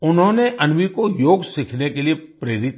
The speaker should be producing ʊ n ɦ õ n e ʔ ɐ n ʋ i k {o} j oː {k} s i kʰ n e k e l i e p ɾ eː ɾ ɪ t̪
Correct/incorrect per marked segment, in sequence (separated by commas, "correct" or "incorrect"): correct, incorrect